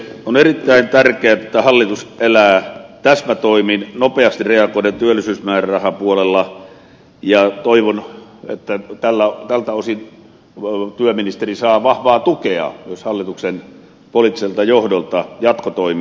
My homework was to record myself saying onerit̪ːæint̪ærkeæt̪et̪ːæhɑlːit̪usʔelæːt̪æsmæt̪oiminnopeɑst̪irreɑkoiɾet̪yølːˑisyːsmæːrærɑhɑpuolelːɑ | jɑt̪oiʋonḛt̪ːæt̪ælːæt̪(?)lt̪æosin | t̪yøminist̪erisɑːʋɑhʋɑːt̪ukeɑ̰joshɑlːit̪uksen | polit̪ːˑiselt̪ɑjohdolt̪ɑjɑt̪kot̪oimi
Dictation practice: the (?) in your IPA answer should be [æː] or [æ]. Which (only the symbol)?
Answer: æ